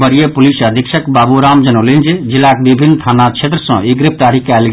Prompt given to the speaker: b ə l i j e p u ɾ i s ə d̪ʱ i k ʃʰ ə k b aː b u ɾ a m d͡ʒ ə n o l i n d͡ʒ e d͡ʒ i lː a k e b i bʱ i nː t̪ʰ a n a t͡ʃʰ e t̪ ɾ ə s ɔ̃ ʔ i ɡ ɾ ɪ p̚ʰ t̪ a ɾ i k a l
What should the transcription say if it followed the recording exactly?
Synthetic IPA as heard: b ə ɾ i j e p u l i s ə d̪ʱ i k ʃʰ ə k b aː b u ɾ a m d͡ʒ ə n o l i n d͡ʒ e d͡ʒ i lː a k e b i bʱ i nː t̪ʰ a n a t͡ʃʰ e t̪ ɾ ə s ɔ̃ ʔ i ɡ ɾ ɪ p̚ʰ t̪ a ɾ i k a l